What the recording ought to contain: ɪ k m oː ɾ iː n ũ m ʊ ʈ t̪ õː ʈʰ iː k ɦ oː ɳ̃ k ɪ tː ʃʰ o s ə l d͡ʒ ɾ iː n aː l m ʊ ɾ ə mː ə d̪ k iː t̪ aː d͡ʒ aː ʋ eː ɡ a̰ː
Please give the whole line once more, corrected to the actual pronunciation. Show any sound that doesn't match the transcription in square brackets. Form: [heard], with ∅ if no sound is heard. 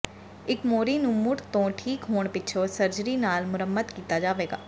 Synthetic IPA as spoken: ɪ k m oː ɾ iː n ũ m ʊ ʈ t̪ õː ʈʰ iː k ɦ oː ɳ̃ [p] ɪ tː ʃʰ o s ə [ɾ] d͡ʒ ɾ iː n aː l m ʊ ɾ ə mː ə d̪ k iː t̪ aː d͡ʒ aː ʋ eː ɡ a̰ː